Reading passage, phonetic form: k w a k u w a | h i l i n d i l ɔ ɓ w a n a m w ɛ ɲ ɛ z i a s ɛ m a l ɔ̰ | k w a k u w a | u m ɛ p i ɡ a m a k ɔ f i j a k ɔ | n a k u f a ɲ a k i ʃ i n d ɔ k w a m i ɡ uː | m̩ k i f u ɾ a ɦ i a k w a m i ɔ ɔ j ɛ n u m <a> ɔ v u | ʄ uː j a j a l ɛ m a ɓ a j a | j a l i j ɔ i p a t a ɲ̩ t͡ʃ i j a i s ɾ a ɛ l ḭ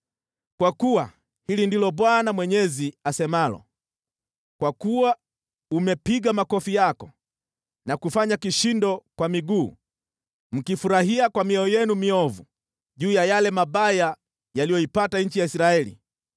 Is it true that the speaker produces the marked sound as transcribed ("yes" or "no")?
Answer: no